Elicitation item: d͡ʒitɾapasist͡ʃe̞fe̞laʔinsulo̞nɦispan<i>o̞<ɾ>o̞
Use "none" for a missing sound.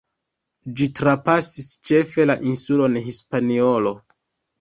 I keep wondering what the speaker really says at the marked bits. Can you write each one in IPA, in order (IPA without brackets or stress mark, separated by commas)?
i, l